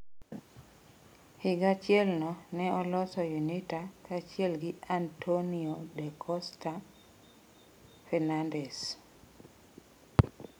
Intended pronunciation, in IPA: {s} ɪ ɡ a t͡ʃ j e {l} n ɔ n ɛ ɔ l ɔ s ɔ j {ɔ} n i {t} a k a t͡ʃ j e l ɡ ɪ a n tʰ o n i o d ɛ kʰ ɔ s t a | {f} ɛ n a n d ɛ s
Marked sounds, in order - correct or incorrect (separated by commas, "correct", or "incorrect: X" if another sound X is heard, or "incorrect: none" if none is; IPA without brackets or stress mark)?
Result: incorrect: h, correct, incorrect: u, correct, correct